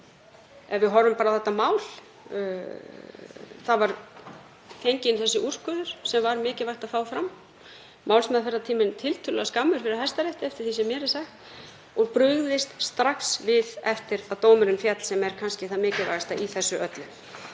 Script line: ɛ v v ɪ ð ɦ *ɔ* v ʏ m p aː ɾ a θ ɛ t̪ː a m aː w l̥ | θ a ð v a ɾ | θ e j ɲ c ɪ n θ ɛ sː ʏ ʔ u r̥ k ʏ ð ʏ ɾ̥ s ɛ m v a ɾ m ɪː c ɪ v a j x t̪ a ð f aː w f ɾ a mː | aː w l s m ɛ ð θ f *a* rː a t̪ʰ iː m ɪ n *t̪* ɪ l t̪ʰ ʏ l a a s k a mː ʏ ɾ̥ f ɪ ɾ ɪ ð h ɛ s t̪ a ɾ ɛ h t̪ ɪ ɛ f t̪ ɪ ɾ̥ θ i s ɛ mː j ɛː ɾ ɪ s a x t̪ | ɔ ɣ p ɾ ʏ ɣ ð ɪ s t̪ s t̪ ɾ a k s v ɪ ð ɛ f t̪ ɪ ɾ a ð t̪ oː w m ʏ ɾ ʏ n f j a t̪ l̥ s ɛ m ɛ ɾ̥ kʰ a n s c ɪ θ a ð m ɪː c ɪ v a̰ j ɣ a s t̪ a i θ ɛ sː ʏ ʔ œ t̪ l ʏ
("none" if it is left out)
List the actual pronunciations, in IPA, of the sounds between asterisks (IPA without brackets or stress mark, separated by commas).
ɔ, ɛ, t̪ʰ